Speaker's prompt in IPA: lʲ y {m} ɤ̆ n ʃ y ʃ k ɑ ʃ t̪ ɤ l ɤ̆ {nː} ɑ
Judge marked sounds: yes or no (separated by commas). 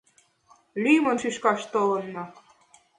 yes, yes